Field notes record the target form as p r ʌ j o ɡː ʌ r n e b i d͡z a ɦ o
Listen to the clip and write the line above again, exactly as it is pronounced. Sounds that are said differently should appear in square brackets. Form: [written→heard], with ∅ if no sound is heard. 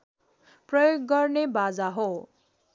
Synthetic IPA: p r ʌ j o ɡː ʌ r n e b [i→a] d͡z a ɦ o